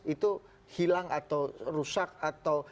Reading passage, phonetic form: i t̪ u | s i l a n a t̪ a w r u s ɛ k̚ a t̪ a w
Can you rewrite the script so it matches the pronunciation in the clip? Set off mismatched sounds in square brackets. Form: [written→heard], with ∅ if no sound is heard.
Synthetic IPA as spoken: i t̪ u | [s→h] i l a [n→ŋ] a t̪ a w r u s [ɛ→a] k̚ a t̪ a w